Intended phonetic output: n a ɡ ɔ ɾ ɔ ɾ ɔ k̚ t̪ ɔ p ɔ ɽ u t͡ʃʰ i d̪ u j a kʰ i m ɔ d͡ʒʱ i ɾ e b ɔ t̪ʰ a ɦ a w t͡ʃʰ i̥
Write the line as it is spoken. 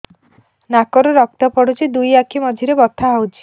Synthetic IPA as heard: n a k ɔ ɾ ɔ ɾ ɔ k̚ t̪ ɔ p ɔ ɽ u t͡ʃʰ i d̪ u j a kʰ i m ɔ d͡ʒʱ i ɾ e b ɔ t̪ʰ a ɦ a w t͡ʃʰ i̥

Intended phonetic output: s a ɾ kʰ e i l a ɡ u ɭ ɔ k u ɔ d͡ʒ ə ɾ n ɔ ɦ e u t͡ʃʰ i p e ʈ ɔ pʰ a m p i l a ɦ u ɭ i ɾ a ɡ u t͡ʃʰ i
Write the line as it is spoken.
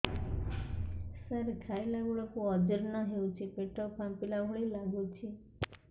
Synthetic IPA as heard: s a ɾ kʰ a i l a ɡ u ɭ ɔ k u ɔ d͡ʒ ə ɾ n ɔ ɦ e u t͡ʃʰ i p e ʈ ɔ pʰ a m p i l a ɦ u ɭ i l a ɡ u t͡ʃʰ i

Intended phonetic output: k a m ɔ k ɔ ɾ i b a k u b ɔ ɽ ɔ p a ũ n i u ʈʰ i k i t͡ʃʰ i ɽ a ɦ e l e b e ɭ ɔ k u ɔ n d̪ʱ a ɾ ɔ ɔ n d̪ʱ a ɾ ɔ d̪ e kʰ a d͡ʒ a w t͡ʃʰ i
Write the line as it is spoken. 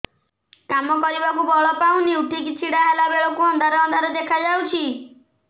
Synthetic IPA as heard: k a m ɔ k ɔ ɾ i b a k u b ɔ ɭ ɔ p a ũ n i u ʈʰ i k i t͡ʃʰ i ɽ a ɦ e l a b e ɭ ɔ k u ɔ n d̪ʱ a ɾ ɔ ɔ n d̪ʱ a ɾ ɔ d̪ e kʰ a d͡ʒ a w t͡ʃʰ i

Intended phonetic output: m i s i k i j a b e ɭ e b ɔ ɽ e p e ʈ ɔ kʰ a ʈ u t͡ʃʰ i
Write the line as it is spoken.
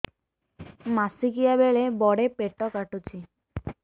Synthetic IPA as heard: m a s i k i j a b e ɭ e b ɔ ɽ e p e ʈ ɔ k a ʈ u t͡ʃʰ i

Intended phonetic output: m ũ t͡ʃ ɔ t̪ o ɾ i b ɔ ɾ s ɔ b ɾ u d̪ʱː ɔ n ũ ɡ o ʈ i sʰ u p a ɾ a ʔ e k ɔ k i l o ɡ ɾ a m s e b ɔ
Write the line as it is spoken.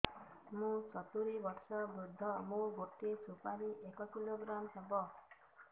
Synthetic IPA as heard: m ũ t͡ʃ ɔ t̪ u ɾ i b ɔ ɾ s ɔ b ɾ u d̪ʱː ɔ m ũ ɡ o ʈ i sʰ u p a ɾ i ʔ e k ɔ k i l o ɡ ɾ a m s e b ɔ

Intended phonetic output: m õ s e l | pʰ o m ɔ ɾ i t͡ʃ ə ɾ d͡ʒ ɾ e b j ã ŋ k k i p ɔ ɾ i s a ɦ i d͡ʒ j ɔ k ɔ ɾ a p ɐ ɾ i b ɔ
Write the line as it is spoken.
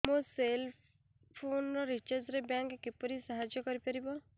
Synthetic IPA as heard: m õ s e l | pʰ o n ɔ ɾ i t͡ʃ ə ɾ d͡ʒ ɾ e b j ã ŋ k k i p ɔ ɾ i s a ɦ a d͡ʒ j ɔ k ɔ ɾ i p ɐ ɾ i b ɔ

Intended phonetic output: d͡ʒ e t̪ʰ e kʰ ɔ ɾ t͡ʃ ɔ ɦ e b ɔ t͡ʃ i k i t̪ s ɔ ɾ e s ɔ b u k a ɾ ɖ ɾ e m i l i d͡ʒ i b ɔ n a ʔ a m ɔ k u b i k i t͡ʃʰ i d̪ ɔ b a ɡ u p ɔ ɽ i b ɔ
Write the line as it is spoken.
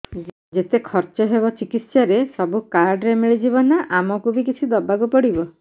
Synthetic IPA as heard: d͡ʒ e t̪ e kʰ ɔ ɾ t͡ʃ ɔ ɦ e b ɔ t͡ʃ i k i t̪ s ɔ ɾ e s ɔ b u k a ɾ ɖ ɾ e m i ɭ i d͡ʒ i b ɔ n a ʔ a m ɔ k u b i k i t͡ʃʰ i d̪ ɔ b a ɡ u p ɔ ɽ i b ɔ

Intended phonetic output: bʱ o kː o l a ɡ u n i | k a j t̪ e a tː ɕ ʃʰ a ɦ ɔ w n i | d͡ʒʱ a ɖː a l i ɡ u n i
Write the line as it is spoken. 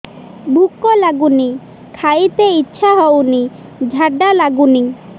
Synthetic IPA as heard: bʱ u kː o l a ɡ u n i | kʰ a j t̪ e i tː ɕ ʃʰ a ɦ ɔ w n i | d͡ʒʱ a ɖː a l a ɡ u n i

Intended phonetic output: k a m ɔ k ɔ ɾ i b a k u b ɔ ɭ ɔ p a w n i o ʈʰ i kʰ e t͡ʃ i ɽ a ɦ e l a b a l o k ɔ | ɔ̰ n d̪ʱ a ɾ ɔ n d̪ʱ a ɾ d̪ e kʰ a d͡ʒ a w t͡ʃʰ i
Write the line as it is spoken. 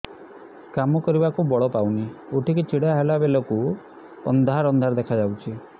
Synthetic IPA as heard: k a m ɔ k ɔ ɾ i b a k u b ɔ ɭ ɔ p a w n i o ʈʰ i k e t͡ʃ i ɽ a ɦ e l a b e l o k u | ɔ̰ n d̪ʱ a ɾ ɔ n d̪ʱ a ɾ d̪ e kʰ a d͡ʒ a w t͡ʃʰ i

